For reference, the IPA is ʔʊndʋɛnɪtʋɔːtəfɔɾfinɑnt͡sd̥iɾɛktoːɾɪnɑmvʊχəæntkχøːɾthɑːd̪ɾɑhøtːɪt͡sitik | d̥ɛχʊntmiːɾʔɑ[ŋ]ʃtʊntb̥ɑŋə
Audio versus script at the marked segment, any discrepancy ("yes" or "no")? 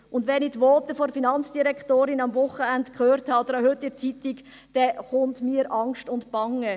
no